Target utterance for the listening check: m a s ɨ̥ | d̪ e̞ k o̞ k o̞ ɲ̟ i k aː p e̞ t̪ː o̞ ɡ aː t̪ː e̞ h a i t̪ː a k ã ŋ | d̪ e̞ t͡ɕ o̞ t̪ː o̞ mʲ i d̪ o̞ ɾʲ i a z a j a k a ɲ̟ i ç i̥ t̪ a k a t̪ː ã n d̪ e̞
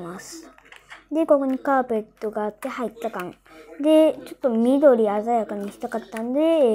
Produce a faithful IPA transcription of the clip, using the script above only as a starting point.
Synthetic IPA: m a s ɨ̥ | d̪ e̞ k o̞ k o̞ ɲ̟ i k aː p e̞ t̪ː o̞ ɡ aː t̪ː e̞ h a i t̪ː a k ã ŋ | d̪ e̞ t͡ɕ o̞ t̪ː o̞ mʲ i d̪ o̞ ɾʲ i a z a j a k a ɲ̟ i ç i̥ t̪ a k a t̪ː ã n d̪ e̞